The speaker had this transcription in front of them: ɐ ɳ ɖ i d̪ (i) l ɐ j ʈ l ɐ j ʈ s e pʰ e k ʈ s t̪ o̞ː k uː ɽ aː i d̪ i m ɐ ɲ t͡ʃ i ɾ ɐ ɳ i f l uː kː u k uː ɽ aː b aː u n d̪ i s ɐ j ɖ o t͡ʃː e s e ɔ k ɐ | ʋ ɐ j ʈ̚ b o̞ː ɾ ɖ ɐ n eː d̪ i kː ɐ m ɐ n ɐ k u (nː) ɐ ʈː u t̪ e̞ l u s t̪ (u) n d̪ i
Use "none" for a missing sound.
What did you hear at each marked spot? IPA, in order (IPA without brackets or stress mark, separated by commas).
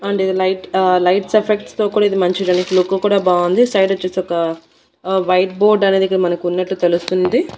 i, nː, u